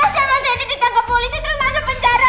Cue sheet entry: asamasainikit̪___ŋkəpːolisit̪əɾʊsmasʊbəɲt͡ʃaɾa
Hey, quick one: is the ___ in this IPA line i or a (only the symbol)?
a